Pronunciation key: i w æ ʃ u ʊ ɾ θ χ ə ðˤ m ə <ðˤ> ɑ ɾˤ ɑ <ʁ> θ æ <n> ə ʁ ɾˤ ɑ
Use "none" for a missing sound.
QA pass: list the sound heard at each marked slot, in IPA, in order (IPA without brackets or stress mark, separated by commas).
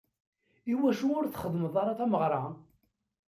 ðˤ, none, m